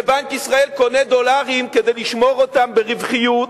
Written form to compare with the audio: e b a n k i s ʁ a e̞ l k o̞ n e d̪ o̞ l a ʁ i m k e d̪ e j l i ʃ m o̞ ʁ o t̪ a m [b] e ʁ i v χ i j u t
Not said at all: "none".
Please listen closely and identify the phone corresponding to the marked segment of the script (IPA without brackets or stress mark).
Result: b